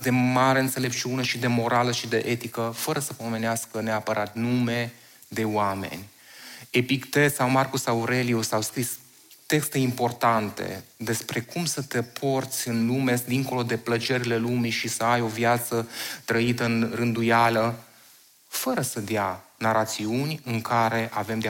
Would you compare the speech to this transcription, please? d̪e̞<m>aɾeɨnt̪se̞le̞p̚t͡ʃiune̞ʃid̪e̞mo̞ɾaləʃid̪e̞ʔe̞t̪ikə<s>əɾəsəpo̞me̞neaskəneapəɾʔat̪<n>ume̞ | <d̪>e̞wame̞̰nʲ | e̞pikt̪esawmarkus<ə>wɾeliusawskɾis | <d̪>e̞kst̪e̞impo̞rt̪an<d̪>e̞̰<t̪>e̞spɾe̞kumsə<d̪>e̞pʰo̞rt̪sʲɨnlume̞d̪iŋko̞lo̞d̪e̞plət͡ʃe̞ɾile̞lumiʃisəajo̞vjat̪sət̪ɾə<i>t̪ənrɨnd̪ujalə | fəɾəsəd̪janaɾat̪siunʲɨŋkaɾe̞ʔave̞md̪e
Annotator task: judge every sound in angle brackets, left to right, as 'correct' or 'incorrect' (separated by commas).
correct, incorrect, correct, correct, incorrect, incorrect, incorrect, incorrect, incorrect, correct